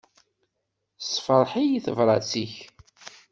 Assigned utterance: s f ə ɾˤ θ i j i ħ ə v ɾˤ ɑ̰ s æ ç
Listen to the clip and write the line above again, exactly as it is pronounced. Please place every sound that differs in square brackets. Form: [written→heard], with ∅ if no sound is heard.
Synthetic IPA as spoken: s f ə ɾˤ [θ→ħ] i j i [ħ→θ] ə v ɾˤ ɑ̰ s [æ→i] ç